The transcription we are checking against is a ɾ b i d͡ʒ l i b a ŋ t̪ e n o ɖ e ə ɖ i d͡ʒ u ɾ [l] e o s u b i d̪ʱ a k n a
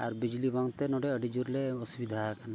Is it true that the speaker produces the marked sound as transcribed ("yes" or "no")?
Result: yes